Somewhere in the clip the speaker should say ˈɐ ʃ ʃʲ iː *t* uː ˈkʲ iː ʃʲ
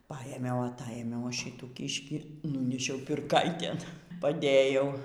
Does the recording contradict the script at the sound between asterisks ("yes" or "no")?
no